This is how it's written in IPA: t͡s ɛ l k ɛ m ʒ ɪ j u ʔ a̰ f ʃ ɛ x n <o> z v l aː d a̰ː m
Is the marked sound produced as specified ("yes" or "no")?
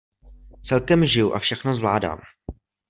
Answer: yes